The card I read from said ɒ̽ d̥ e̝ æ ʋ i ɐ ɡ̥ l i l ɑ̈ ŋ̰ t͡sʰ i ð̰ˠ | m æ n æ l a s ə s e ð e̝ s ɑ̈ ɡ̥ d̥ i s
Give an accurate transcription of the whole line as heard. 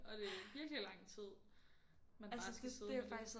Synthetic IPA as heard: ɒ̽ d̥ e̝ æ ʋ i ɐ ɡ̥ l i l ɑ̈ ŋ̰ t͡sʰ i ð̰ˠ | m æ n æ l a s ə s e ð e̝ f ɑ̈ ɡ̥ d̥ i s

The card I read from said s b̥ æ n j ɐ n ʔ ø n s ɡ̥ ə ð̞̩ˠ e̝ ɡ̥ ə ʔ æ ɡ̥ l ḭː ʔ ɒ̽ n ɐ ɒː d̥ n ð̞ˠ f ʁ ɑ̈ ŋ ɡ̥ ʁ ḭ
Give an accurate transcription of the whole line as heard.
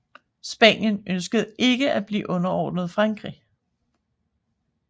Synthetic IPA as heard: s b̥ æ n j ə n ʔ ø n s ɡ̥ ə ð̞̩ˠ e̝ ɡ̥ ə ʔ æ b̥ l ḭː ʔ ɔ̽ n ɐ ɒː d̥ n ð̞ˠ f ʁ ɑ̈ ŋ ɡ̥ ʁ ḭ

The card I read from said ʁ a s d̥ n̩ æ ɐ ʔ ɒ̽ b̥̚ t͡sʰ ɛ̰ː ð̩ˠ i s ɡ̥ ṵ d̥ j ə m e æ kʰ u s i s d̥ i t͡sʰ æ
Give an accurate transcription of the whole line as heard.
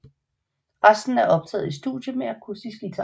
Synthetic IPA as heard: ʁ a s d̥ n̩ æ ɐ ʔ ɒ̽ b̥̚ t͡sʰ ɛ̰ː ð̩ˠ i s d̥ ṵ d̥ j ə m e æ kʰ u s i s ɡ̥ i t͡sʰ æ

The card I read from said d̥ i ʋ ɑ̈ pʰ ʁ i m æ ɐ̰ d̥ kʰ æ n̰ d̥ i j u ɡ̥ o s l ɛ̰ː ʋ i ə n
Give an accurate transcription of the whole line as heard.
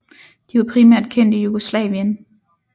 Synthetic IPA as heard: d̥ i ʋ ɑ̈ pʰ ʁ i m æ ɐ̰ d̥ kʰ e n̰ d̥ i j u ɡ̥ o s l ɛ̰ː ʋ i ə n

